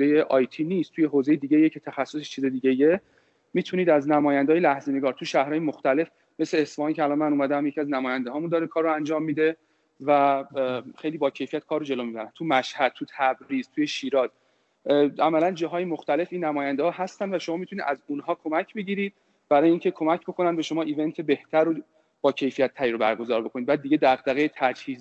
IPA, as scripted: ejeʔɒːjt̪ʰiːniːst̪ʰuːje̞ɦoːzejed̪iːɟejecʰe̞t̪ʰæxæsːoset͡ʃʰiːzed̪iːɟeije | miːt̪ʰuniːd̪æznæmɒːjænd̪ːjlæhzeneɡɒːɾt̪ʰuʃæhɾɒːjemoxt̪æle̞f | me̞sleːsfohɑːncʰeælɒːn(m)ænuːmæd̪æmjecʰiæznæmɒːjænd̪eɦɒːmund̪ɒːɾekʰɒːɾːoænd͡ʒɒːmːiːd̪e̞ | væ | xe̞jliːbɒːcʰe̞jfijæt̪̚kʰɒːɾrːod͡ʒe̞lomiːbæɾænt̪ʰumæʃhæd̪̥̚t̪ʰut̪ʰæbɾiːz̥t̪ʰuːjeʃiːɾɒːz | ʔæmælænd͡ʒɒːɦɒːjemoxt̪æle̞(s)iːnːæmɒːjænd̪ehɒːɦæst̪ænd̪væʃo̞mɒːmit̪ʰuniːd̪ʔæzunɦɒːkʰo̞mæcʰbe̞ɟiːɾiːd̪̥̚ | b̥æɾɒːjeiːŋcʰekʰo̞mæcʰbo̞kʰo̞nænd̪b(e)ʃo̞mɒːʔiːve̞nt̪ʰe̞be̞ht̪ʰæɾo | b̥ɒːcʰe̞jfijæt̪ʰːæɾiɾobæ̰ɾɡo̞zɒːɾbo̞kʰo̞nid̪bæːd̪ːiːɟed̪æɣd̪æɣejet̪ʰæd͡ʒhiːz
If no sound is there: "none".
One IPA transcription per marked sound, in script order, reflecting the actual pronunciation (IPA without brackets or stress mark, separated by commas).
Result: m, f, e